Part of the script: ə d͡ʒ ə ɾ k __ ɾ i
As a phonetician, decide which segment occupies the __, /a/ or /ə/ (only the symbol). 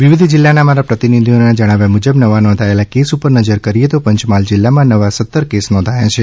ə